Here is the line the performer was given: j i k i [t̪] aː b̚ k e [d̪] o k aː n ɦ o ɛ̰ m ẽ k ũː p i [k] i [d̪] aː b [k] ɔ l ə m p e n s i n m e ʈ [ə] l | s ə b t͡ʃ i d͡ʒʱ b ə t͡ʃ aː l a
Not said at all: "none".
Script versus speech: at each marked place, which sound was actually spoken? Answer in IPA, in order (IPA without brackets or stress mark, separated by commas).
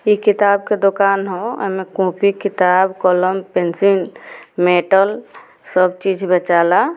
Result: t̪, d̪, k, t̪, k, ə